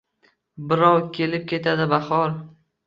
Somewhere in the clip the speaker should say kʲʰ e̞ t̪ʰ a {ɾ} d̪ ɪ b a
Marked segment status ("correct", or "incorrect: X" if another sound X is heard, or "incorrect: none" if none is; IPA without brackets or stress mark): incorrect: none